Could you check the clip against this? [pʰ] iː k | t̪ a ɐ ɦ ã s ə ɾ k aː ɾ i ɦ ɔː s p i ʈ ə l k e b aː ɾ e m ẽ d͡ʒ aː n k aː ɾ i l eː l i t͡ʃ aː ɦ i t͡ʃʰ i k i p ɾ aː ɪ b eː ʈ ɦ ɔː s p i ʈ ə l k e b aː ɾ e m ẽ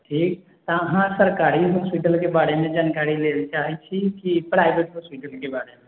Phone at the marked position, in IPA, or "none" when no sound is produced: ʈʰ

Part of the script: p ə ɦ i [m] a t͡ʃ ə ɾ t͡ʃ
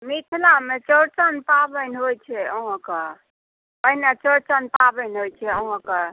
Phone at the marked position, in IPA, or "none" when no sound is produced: n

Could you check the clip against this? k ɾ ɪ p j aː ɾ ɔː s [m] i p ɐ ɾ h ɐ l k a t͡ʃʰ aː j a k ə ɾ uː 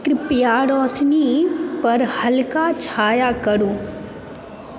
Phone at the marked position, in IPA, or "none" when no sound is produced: n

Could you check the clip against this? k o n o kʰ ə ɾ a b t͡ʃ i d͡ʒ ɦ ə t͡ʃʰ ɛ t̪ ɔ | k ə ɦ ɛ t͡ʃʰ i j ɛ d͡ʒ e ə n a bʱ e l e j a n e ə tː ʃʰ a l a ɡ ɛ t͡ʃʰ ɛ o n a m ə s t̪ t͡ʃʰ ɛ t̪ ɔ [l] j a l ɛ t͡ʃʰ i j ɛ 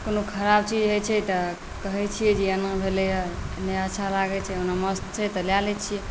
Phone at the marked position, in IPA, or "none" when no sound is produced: l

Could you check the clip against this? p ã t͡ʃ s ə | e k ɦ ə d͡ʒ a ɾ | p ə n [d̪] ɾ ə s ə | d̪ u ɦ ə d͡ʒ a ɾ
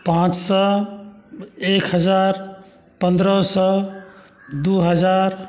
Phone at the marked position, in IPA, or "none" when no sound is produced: d̪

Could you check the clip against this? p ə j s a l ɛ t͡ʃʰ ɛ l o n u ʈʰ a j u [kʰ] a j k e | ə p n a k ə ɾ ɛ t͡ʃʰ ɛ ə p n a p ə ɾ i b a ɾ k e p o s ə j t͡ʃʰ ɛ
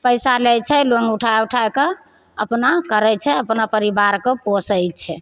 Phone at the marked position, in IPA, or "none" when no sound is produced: ʈʰ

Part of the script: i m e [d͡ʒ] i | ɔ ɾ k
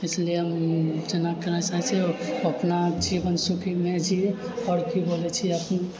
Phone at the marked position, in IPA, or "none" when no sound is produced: d͡ʒ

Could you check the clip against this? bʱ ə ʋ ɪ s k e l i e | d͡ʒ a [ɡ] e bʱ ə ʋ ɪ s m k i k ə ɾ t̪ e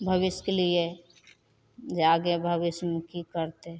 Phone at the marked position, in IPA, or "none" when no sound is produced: ɡ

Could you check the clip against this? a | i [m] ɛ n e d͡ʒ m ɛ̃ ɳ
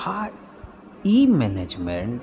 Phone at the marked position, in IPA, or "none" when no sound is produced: m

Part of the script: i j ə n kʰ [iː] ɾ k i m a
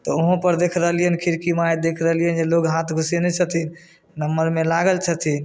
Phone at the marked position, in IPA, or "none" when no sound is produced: i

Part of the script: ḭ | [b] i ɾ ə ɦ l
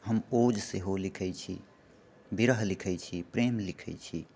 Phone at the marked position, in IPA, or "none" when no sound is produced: b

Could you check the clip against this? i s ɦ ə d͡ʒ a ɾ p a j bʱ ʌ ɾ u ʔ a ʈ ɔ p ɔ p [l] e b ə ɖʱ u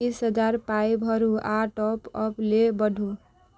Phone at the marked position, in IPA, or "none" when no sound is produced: l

